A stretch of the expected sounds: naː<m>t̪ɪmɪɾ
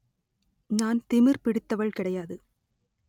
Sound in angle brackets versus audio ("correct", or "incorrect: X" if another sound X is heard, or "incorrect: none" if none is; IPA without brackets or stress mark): incorrect: n